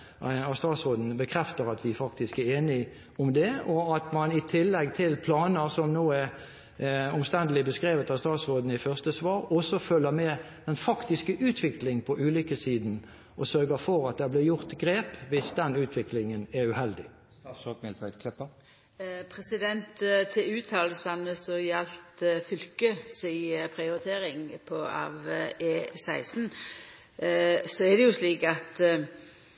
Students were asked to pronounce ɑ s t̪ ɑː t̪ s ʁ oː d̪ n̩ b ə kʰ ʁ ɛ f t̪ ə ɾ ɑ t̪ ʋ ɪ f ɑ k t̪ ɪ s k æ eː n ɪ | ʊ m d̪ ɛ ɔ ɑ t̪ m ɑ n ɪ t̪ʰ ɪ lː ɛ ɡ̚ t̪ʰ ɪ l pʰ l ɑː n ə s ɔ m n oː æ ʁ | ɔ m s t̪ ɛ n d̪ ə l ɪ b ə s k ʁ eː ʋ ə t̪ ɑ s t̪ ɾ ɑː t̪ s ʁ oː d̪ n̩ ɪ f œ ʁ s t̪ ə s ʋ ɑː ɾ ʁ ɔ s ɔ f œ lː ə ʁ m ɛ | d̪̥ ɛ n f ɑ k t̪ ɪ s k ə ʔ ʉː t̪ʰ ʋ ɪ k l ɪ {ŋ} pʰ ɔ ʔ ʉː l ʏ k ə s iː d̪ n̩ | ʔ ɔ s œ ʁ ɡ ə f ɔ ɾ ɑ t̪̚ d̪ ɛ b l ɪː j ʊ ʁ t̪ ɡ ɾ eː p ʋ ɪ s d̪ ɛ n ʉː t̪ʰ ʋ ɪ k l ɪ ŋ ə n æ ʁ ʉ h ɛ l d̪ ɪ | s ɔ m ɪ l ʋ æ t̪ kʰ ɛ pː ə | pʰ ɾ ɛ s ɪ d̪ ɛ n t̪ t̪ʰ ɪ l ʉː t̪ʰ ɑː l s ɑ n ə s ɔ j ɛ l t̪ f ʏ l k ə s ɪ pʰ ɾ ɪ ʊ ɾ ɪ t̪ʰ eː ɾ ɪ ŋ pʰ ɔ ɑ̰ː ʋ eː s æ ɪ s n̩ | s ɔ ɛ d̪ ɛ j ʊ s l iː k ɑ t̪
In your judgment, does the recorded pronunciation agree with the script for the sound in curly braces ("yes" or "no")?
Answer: yes